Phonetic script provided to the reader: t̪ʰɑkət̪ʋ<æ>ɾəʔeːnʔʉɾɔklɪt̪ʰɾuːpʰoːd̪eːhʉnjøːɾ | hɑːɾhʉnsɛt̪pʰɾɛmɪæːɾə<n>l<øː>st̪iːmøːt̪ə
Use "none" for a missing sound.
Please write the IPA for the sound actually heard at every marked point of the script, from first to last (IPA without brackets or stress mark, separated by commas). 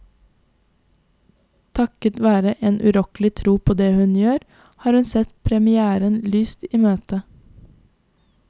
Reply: æː, n, yː